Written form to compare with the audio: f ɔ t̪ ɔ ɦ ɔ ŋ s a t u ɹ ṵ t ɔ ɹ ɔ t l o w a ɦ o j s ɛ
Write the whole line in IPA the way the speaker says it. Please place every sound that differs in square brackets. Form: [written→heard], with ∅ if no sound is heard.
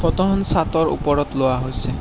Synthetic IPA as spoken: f ɔ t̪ ɔ ɦ ɔ [ŋ→n] s a t [u→ɔ] ɹ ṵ [t→p] ɔ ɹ ɔ t l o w a ɦ o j s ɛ